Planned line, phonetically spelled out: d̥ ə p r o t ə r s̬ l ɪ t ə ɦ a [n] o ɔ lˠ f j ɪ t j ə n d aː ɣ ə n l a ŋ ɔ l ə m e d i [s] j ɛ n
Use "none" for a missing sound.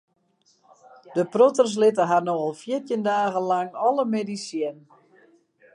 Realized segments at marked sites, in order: n, s

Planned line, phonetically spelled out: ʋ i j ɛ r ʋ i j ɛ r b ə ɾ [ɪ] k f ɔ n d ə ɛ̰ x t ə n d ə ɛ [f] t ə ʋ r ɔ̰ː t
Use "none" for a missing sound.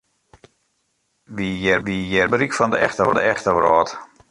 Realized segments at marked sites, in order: i, x

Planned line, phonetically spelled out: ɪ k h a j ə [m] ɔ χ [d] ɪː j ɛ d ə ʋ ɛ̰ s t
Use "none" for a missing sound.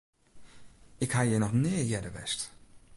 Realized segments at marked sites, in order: n, n

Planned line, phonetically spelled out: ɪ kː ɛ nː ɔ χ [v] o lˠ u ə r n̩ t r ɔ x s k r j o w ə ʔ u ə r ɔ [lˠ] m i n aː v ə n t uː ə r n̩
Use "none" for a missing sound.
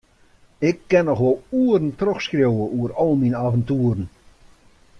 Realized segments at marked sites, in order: ʋ, lˠ

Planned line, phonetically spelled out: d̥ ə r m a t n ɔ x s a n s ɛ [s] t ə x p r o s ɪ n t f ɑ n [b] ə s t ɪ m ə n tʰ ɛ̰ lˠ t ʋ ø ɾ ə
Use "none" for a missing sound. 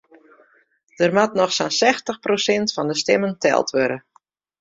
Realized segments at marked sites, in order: x, d

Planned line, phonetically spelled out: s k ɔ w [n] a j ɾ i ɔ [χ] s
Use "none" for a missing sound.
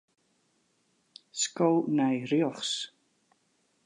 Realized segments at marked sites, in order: n, χ

